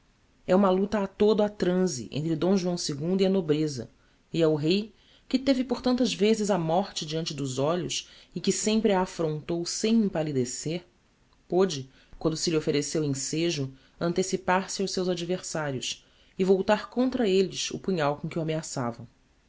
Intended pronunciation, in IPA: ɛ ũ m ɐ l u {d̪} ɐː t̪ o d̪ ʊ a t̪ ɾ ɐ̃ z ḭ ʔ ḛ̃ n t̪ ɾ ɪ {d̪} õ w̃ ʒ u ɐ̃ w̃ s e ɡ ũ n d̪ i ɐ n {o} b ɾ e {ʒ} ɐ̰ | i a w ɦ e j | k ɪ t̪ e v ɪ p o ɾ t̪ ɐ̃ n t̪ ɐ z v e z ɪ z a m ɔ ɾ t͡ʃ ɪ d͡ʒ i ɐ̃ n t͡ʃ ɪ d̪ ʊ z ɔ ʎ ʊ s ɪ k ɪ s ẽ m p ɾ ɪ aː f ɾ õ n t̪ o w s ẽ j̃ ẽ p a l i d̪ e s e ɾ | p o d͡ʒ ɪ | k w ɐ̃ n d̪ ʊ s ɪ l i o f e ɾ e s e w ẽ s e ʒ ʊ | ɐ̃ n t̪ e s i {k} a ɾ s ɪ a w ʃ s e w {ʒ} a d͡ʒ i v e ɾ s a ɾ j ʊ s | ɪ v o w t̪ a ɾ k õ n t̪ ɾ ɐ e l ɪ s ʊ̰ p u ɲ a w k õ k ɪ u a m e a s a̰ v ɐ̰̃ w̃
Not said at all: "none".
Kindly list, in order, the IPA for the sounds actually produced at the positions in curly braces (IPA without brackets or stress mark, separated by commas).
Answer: t̪, d̪, o, z, p, z